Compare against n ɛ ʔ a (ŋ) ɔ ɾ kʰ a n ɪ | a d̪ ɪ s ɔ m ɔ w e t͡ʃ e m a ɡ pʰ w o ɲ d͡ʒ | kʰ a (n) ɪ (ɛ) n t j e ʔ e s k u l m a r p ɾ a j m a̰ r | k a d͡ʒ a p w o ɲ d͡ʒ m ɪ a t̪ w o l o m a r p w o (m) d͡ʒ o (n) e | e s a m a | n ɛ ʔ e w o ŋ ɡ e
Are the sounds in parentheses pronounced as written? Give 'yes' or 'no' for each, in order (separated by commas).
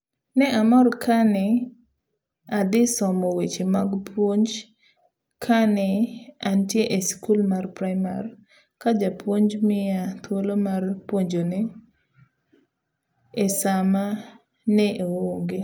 no, yes, no, no, yes